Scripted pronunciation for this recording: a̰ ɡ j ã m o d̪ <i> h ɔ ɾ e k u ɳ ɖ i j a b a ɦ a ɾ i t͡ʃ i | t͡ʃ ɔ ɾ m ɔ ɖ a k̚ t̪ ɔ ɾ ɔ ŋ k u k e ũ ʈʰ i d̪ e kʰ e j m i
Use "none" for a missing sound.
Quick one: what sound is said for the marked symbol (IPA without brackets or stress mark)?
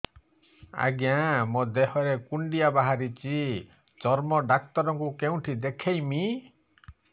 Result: e